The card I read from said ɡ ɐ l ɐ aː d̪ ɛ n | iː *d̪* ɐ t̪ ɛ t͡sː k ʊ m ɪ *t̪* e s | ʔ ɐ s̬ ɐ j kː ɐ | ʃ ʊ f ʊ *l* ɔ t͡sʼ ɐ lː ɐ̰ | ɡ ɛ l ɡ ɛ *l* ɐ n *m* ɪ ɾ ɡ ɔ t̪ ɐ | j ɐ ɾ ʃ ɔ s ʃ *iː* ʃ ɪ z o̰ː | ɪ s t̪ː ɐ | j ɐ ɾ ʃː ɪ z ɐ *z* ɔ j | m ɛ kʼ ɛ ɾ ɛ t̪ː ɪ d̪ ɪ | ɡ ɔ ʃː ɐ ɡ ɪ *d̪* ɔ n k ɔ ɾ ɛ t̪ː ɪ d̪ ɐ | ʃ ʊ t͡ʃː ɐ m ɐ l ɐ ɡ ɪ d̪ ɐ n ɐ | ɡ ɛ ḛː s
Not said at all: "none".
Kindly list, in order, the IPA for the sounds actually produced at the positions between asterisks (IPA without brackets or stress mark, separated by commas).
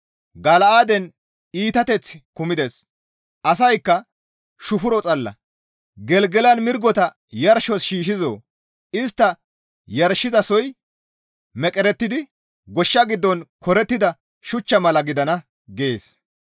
t̪, d̪, ɾ, l, m, iː, s, d̪ː